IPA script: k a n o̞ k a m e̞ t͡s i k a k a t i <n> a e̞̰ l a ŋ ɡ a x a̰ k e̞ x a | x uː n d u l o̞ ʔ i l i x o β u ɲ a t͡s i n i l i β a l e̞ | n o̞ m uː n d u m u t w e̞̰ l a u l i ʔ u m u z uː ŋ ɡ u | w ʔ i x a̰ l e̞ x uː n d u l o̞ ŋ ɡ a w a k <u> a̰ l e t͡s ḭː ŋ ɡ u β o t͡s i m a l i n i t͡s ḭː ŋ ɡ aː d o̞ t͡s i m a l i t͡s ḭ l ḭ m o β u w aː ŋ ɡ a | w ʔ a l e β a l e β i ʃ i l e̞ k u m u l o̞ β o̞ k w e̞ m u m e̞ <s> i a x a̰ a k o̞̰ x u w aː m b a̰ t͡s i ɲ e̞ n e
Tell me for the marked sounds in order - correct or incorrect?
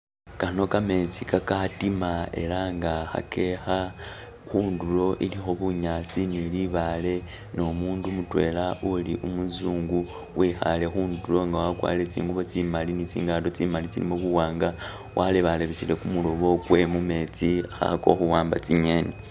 incorrect: m, incorrect: w, incorrect: t͡s

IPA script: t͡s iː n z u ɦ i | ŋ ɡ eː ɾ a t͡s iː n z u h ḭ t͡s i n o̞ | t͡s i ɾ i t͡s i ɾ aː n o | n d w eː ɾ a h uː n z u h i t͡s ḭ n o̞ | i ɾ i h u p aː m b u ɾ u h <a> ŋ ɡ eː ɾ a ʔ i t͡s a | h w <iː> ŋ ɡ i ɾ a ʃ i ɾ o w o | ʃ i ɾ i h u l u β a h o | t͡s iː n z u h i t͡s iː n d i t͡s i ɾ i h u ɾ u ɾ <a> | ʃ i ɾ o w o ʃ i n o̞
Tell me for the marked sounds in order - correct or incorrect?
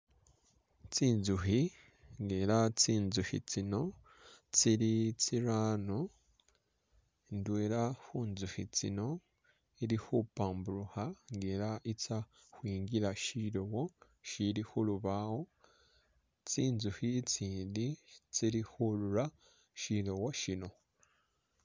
correct, correct, correct

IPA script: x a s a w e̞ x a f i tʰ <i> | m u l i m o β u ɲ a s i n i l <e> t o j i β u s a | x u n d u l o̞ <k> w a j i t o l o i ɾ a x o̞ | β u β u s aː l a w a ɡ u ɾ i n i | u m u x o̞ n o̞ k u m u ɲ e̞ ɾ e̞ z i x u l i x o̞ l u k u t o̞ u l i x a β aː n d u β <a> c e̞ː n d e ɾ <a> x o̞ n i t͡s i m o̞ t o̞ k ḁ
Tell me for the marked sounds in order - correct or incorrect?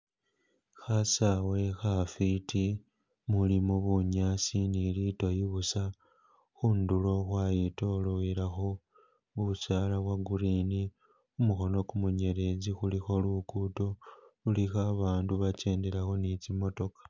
correct, incorrect: i, incorrect: x, correct, correct

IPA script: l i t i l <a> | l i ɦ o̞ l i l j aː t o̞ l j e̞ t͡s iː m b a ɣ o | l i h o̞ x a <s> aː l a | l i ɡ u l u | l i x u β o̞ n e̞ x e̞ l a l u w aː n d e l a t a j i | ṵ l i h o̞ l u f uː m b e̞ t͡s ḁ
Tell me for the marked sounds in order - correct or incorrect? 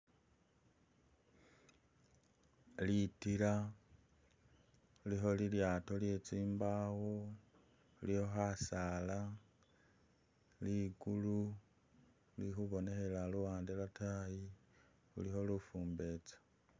correct, correct

